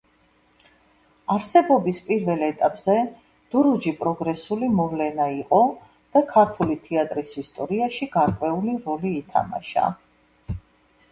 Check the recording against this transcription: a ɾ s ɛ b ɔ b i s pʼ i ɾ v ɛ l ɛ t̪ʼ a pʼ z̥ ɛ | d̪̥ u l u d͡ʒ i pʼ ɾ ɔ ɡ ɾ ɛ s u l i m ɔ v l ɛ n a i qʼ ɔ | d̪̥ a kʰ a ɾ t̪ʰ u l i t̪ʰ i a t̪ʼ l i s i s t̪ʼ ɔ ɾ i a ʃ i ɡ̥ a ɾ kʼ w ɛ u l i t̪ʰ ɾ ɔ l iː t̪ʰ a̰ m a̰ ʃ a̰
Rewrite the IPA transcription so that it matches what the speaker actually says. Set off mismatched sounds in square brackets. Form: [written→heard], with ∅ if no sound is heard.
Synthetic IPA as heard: a ɾ s ɛ b ɔ b i s pʼ i ɾ v ɛ l ɛ t̪ʼ a pʼ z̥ ɛ | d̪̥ u [l→ɾ] u d͡ʒ i pʼ ɾ ɔ ɡ ɾ ɛ s u l i m ɔ v l ɛ n a i qʼ ɔ | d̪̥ a kʰ a ɾ t̪ʰ u l i t̪ʰ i a t̪ʼ [l→ɾ] i s i s t̪ʼ ɔ ɾ i a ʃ i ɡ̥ a ɾ kʼ w ɛ u l i [t̪ʰ→∅] ɾ ɔ l iː t̪ʰ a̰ m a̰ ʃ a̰